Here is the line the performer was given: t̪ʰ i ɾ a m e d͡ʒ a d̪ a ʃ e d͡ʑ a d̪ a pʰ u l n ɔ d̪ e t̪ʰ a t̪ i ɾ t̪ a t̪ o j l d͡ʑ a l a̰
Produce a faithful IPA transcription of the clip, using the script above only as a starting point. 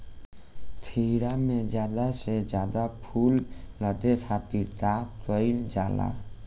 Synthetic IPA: t̪ʰ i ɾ a m e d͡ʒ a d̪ a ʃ e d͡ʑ a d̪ a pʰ u l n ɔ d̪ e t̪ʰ a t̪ i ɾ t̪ a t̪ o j l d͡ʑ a l a̰